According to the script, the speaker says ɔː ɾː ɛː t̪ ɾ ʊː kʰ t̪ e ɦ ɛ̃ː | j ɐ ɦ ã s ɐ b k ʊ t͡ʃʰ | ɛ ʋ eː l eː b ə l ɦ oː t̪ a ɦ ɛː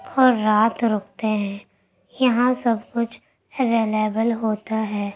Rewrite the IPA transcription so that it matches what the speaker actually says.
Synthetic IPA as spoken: ɔː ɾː aː t̪ ɾ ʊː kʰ t̪ e ɦ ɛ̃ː | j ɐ ɦ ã s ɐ b k ʊ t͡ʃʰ | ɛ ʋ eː l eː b ə l ɦ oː t̪ a ɦ ɛː